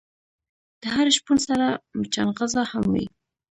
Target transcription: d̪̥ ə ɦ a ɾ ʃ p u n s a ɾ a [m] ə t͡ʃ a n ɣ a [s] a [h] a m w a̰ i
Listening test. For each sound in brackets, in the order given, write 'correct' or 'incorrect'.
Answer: correct, incorrect: z, correct

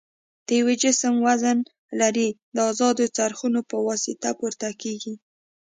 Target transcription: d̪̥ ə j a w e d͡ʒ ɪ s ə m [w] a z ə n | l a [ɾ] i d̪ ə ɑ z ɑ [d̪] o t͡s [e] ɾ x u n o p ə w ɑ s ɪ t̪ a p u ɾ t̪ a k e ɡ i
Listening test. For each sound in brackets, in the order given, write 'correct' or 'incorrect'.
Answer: correct, correct, correct, incorrect: a

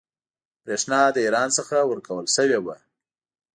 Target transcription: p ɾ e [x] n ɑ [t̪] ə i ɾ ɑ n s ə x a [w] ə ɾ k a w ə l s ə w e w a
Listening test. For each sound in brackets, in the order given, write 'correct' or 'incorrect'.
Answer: incorrect: ʂ, incorrect: d̪, correct

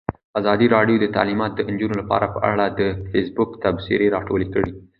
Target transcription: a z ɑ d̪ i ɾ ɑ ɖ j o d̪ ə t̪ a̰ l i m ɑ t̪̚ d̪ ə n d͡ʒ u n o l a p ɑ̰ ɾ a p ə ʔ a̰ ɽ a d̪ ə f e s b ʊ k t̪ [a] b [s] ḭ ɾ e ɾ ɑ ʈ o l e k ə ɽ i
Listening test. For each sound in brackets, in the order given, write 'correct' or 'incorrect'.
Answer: correct, correct

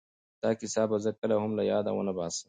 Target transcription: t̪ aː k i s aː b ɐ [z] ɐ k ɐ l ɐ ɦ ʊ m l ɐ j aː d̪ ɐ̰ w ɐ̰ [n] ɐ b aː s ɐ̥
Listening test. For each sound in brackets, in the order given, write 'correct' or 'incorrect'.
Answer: correct, correct

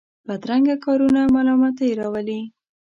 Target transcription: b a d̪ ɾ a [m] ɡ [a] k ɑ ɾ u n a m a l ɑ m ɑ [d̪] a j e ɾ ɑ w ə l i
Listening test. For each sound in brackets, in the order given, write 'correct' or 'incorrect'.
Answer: incorrect: ŋ, correct, incorrect: t̪

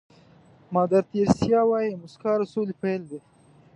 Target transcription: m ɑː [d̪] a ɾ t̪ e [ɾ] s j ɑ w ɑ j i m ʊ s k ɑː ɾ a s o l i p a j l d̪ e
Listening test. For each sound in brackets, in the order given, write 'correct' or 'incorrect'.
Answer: correct, correct

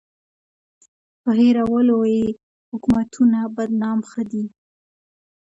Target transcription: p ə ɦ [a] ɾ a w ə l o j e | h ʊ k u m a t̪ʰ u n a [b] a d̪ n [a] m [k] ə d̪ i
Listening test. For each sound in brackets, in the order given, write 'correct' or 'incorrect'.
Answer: incorrect: e, correct, incorrect: ɑ, incorrect: x

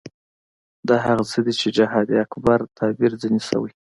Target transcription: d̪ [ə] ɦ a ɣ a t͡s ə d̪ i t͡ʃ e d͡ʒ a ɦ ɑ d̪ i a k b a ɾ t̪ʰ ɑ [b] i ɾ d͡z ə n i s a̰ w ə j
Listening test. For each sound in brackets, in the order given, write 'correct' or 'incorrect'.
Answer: incorrect: ɑ, correct

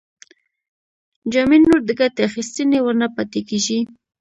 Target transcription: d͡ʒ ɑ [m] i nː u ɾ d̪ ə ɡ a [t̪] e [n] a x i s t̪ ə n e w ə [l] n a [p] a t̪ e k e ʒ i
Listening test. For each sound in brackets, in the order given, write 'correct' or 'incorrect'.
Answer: correct, correct, incorrect: none, incorrect: ɾ, correct

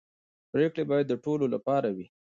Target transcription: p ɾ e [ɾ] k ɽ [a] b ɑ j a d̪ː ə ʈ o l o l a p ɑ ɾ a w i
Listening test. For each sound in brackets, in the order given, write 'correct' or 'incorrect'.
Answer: incorrect: none, incorrect: e

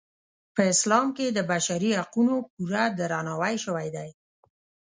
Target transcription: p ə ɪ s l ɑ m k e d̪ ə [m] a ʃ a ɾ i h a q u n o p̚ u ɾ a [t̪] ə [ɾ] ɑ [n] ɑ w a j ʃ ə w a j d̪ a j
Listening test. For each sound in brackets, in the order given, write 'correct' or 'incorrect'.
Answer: incorrect: b, incorrect: d̪, correct, correct

